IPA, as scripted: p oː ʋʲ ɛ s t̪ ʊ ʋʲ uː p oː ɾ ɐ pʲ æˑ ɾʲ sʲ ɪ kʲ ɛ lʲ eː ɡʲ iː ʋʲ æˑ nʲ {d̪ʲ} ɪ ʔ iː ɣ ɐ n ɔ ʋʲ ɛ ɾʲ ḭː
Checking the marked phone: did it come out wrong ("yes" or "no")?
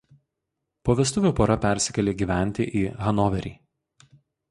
yes